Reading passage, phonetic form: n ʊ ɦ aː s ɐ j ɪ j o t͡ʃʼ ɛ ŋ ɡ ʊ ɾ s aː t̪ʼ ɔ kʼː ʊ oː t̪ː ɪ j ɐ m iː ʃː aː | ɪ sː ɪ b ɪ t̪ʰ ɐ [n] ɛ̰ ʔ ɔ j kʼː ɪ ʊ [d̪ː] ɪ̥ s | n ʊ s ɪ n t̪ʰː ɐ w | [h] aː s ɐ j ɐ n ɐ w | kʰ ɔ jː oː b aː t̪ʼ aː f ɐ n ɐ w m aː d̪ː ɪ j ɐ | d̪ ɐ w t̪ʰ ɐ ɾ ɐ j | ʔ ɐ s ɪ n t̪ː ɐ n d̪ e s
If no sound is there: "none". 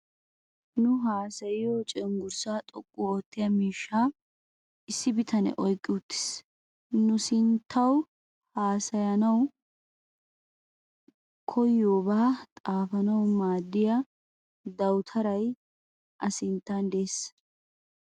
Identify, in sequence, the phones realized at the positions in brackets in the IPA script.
n, t̪ː, h

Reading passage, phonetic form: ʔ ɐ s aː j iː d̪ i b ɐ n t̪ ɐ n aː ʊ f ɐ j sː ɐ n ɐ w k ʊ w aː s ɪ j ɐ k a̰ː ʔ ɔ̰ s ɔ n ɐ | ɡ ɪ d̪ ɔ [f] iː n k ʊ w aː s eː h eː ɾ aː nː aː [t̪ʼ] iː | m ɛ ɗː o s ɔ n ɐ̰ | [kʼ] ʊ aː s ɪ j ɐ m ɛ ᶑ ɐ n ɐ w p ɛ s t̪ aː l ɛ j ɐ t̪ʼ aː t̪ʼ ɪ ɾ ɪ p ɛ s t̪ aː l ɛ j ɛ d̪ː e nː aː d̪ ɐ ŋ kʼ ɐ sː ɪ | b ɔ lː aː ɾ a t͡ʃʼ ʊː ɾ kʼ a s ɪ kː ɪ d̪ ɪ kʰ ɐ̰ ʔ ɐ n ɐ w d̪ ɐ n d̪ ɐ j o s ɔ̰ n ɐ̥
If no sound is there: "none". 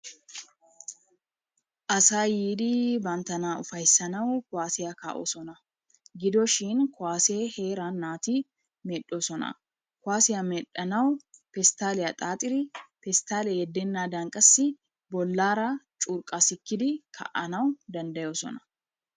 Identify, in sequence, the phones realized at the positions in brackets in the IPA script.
ʃ, t̪, k

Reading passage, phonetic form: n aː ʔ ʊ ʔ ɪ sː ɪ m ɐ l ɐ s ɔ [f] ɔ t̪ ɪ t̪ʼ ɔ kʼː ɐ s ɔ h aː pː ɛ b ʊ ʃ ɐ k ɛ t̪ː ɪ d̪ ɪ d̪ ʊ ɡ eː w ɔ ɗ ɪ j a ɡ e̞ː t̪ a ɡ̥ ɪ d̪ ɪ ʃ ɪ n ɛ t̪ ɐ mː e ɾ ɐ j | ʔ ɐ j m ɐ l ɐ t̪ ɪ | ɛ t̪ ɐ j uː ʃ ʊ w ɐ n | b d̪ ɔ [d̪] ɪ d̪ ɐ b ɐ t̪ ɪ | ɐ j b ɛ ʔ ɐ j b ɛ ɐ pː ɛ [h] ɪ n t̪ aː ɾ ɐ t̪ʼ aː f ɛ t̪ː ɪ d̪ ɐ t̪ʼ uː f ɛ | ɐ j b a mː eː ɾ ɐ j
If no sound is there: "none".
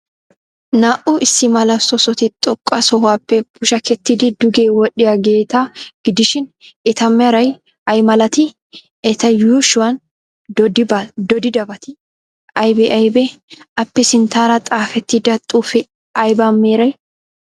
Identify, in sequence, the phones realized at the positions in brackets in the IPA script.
s, d̪, s

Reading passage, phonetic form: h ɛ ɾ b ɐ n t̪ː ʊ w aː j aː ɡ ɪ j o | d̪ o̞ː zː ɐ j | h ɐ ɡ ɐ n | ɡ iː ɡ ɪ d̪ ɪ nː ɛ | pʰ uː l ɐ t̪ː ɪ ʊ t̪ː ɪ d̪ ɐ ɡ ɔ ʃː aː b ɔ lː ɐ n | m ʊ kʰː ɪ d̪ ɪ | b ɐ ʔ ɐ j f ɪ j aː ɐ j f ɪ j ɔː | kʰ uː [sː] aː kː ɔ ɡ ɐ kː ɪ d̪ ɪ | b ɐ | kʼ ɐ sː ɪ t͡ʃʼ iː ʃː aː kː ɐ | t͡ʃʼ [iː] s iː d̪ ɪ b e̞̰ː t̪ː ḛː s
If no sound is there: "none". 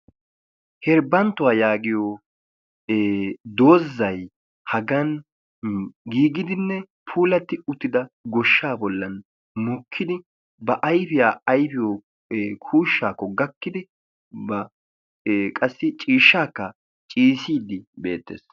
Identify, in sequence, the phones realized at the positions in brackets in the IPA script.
ʃː, iː

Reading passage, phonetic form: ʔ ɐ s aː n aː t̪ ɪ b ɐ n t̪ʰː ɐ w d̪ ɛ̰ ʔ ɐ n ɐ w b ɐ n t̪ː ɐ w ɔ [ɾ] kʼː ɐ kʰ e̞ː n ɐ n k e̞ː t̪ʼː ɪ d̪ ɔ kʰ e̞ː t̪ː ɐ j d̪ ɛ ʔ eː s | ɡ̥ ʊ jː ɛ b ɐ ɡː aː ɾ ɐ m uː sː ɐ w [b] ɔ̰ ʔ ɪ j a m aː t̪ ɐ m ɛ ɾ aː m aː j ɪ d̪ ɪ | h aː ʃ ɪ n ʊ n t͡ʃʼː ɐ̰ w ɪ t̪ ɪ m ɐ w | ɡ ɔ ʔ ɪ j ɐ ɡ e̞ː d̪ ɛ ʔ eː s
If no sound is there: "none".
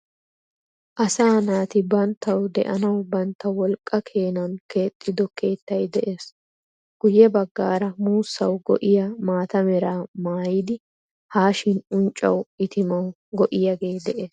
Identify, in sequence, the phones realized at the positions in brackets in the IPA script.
l, ɡ

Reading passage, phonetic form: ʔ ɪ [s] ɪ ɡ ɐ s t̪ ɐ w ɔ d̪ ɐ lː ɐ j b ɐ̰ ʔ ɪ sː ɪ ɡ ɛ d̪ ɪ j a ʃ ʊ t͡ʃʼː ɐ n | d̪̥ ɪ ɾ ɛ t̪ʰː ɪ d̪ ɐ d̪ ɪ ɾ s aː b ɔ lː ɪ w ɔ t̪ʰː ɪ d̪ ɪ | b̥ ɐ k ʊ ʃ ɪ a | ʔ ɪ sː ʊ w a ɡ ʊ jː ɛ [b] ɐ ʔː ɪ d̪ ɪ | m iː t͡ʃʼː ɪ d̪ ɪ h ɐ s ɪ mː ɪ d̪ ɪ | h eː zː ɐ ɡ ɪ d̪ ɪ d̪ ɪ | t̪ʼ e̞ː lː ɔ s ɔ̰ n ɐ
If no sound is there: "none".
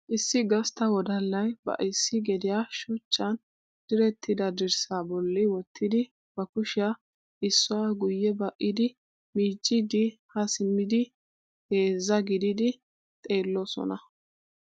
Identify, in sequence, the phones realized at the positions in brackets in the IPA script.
sː, b

